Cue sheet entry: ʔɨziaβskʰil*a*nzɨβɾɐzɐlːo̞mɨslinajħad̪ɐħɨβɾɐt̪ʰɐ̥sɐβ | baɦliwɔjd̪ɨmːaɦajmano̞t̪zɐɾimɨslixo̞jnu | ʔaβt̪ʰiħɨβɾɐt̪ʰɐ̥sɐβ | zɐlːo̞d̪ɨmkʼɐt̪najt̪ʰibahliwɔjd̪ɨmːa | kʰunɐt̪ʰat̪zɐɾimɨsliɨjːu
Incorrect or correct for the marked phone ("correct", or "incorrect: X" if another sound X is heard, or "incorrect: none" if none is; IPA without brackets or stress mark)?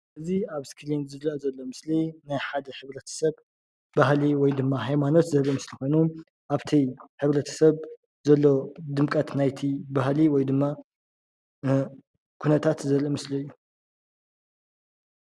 incorrect: i